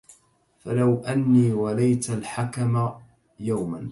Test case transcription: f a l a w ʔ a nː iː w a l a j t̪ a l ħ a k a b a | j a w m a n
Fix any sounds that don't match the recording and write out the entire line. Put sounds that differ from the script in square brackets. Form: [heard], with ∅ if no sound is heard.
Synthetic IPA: f a l a w ʔ a nː iː w a l a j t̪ a l ħ a k a [m] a | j a w m a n